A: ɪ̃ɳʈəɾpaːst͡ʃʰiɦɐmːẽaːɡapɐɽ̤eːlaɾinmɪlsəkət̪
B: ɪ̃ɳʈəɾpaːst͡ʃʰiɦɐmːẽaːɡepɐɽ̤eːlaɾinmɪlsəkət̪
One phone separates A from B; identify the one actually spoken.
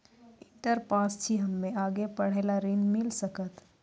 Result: B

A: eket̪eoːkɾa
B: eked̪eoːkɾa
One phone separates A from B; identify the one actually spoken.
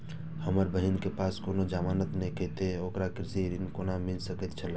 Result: A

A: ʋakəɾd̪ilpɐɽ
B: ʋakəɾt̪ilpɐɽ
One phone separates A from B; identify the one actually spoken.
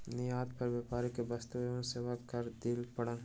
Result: A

